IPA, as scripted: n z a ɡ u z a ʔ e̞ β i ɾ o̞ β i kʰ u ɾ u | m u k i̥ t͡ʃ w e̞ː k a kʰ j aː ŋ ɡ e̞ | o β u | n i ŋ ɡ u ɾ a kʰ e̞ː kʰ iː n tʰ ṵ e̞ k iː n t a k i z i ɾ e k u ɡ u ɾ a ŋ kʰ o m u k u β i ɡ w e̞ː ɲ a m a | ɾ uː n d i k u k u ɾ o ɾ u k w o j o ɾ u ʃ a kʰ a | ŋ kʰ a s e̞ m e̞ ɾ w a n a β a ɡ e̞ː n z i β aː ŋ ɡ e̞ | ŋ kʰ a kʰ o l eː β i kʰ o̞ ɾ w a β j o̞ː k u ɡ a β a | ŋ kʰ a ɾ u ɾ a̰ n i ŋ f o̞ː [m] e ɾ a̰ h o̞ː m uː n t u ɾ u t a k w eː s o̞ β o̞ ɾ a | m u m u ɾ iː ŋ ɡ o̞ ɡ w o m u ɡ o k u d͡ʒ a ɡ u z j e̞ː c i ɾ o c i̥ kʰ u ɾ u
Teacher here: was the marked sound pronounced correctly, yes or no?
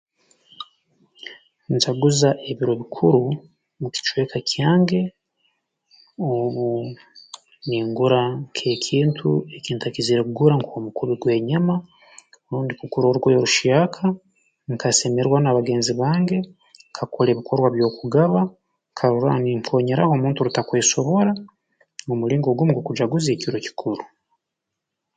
no